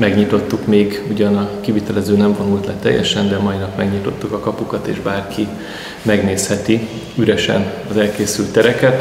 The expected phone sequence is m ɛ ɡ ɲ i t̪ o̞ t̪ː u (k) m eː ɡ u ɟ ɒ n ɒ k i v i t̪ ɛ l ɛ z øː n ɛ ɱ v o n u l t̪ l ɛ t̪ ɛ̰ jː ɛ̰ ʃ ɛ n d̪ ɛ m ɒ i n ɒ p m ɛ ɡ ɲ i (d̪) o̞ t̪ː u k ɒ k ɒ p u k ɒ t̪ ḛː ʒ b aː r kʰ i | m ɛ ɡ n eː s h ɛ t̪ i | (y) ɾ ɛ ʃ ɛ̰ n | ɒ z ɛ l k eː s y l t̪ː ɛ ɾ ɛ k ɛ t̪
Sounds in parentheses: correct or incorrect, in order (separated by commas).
correct, incorrect, correct